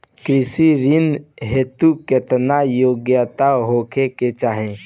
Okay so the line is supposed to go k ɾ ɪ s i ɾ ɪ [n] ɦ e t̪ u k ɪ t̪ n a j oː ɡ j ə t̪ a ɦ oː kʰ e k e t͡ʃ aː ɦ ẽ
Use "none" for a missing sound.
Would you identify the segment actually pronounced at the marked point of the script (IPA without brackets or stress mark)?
n